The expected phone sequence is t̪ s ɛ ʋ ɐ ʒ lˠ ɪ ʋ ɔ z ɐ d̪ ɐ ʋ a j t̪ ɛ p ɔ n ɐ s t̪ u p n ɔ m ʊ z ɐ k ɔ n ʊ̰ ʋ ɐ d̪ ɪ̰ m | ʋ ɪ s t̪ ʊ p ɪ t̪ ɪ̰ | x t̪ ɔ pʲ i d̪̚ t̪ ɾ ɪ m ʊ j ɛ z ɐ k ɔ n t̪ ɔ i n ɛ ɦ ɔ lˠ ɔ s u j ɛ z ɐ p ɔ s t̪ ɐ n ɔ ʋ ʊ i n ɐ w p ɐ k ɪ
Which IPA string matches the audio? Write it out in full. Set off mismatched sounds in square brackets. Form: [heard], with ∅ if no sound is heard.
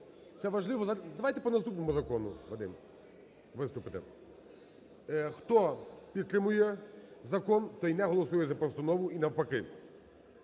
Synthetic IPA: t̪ s ɛ ʋ ɐ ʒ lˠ ɪ ʋ ɔ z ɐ d̪ ɐ ʋ a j t̪ ɛ p ɔ n ɐ s t̪ u p n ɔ m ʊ z ɐ k ɔ n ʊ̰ ʋ ɐ d̪ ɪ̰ m | ʋ ɪ s t̪ ʊ p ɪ t̪ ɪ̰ | x t̪ ɔ pʲ i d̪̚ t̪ ɾ ɪ m ʊ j ɛ z ɐ k ɔ n t̪ ɔ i n ɛ ɦ ɔ lˠ ɔ s u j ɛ z ɐ p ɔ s t̪ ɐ n ɔ ʋ ʊ i n ɐ w p ɐ k ɪ